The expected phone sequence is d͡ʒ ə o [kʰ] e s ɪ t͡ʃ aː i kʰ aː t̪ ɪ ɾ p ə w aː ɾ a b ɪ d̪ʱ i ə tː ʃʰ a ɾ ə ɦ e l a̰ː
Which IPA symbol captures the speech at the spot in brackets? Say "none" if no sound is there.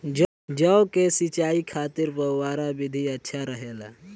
k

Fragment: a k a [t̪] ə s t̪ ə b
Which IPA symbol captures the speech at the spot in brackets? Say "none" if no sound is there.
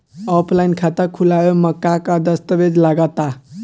d̪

